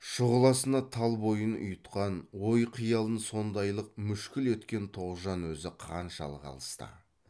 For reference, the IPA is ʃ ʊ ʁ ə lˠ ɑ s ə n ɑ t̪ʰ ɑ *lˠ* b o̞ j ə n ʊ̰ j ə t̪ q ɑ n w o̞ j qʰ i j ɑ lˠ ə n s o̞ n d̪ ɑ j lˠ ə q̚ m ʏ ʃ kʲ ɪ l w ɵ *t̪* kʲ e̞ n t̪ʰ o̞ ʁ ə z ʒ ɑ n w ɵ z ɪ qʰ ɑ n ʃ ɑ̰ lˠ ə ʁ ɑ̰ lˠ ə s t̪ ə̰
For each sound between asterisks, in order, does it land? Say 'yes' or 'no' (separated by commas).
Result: yes, yes